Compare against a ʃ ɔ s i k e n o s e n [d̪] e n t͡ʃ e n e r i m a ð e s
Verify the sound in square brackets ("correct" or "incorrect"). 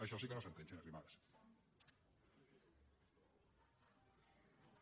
incorrect